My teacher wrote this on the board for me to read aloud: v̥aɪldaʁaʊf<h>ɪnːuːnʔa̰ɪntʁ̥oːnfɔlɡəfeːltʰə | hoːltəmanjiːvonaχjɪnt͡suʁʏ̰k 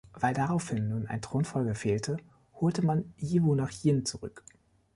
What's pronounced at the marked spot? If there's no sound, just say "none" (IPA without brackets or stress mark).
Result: h